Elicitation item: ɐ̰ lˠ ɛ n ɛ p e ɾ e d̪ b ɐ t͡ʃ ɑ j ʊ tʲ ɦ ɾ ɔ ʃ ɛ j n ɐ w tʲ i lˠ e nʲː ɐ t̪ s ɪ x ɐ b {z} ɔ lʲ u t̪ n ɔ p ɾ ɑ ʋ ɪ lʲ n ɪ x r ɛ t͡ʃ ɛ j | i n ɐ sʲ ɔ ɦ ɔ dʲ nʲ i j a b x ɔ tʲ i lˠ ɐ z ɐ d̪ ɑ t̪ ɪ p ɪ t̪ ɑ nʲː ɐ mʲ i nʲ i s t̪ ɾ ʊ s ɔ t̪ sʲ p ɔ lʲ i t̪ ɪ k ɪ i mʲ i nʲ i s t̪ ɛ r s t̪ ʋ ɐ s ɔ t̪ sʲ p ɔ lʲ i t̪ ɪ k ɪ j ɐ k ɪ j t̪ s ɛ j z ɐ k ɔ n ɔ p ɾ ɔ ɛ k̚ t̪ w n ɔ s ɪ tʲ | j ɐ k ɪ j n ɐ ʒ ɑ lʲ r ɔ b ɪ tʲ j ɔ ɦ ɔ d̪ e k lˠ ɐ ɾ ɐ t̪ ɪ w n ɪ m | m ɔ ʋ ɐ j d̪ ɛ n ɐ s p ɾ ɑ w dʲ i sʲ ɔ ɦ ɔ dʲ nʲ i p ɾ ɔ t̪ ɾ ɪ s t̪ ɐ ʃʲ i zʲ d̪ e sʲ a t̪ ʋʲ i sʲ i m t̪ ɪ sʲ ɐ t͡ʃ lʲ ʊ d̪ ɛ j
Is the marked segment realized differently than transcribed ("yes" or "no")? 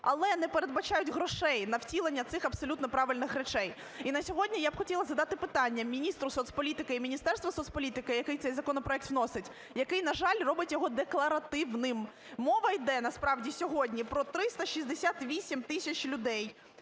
yes